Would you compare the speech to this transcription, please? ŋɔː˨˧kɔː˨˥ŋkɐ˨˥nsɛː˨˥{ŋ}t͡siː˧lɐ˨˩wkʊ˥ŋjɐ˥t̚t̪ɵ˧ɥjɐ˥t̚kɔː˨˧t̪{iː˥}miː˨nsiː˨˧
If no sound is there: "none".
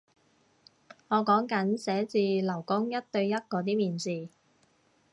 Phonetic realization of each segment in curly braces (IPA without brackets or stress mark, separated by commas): none, iː˥